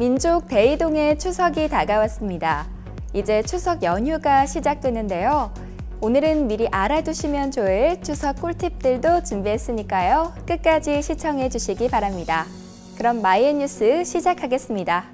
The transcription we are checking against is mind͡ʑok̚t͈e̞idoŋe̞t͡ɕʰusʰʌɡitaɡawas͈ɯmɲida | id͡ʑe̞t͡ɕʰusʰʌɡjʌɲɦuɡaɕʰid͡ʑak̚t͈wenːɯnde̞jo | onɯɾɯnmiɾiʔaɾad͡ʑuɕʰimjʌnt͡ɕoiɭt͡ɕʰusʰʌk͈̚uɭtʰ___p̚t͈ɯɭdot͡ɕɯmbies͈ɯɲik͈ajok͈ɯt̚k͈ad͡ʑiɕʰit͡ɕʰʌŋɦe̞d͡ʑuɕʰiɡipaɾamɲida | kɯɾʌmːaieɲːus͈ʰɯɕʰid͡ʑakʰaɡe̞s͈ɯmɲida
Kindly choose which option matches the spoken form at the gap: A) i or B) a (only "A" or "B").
A